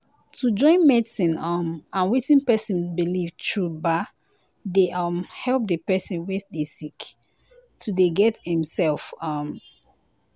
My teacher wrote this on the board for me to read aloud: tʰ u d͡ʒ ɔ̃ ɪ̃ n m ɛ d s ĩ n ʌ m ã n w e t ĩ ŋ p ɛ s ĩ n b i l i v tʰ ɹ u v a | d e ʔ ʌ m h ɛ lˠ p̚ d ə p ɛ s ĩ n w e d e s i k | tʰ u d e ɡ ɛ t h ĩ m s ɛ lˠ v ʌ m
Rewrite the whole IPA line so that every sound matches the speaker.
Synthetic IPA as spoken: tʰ u d͡ʒ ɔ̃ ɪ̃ n m ɛ d s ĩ n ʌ m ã n w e t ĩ n p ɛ s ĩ n b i l i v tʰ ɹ u b a | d e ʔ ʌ m h ɛ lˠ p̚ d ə p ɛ s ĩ n w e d e s i k | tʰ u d e ɡ ɛ t h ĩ m s ɛ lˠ f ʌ m